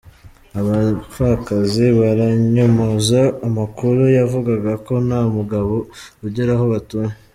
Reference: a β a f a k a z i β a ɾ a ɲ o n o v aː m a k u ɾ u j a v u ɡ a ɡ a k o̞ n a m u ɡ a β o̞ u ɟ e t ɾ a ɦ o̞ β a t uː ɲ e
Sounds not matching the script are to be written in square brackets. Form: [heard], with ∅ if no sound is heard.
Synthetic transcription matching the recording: a β a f a k a z i β a ɾ a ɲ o [m] o [z] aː m a k u ɾ u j a v u ɡ a ɡ a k o̞ n a m u ɡ a β o̞ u ɟ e [∅] ɾ a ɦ o̞ β a t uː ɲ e